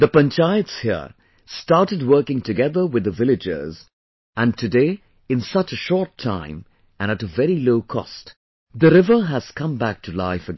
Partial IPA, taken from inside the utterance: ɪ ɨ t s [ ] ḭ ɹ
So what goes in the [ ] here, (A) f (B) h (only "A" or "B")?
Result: B